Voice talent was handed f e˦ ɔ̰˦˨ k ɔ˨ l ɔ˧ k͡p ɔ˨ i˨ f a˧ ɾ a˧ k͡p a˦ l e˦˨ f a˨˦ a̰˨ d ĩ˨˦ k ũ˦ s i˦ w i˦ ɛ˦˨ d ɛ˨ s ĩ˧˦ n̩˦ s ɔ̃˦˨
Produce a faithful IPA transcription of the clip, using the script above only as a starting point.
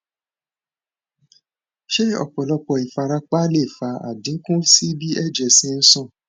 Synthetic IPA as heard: ʃ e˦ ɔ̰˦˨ k͡p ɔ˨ l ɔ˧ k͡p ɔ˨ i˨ f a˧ ɾ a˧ k͡p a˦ l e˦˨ f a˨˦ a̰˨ d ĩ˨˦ k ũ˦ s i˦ b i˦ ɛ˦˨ d͡ʒ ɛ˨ s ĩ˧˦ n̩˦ s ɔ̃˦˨